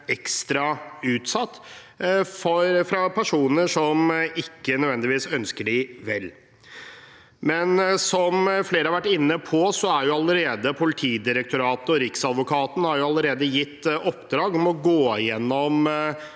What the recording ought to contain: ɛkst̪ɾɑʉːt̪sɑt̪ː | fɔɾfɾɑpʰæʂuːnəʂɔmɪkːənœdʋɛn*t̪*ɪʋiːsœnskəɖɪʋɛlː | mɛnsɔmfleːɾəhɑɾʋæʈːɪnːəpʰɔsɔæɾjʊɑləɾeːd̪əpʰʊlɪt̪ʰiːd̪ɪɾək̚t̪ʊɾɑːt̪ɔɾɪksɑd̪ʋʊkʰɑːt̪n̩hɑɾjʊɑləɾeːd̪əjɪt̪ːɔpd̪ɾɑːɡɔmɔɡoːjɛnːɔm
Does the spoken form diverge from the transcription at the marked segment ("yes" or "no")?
yes